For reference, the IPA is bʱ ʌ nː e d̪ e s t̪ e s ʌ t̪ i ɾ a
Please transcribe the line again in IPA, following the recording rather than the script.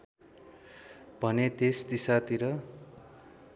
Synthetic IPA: bʱ ʌ n e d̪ e s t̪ i s a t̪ i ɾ ʌ